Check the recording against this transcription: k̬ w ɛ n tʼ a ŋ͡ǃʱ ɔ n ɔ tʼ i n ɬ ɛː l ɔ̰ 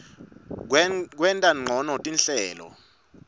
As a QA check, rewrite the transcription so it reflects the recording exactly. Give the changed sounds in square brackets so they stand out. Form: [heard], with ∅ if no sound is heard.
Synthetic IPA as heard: k̬ w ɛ n tʼ a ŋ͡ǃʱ ɔ n ɔ tʼ i n ɬ ɛː l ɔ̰